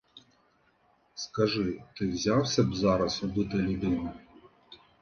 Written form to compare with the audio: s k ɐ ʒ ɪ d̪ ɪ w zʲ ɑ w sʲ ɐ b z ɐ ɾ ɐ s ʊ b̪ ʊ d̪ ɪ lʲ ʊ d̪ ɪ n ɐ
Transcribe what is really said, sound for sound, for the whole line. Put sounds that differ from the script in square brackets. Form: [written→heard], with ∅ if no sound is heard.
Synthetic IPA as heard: s k ɐ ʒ ɪ [d̪→t̪] ɪ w zʲ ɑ w sʲ ɐ b z [ɐ→ɑ] ɾ ɐ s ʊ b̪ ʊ [d̪→t̪] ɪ lʲ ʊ d̪ ɪ n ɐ